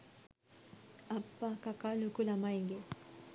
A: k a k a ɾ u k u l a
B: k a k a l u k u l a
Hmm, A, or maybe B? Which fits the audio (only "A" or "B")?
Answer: B